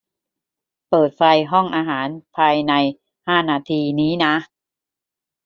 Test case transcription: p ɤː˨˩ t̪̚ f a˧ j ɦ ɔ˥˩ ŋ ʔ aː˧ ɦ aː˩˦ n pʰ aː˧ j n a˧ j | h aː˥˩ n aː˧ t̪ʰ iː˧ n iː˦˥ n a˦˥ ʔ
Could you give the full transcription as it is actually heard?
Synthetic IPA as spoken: p ɤː˨˩ t̪̚ f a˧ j ɦ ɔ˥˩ ŋ ʔ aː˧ ɦ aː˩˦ n pʰ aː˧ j n a˧ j | h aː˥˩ n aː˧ t̪ʰ iː˧ n iː˦˥ n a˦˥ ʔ